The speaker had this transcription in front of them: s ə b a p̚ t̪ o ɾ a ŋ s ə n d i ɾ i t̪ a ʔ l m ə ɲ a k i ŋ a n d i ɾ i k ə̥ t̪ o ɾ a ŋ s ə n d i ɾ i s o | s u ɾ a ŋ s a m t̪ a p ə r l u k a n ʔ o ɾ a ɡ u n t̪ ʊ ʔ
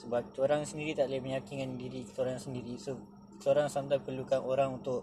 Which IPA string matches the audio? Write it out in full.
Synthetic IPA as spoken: s ə b a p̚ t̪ o ɾ a ŋ s ə n d i ɾ i t̪ a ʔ l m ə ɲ a k i ŋ a n d i ɾ i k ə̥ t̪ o ɾ a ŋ s ə n d i ɾ i s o | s o ɾ a ŋ s a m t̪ a p ə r l u k a n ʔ o ɾ a ŋ u n t̪ ʊ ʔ